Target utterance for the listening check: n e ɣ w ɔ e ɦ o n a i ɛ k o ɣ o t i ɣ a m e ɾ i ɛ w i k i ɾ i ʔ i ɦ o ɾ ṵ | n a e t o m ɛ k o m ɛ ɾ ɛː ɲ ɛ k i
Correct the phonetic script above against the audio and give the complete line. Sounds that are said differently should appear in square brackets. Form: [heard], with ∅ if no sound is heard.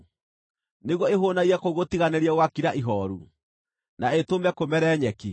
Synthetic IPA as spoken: n e ɣ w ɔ e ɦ o n a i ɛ k o ɣ o t i ɣ a [n] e ɾ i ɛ w [a] k i ɾ [a] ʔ i ɦ [ɔ] ɾ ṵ | n a e t o m ɛ k o m ɛ ɾ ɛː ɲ ɛ k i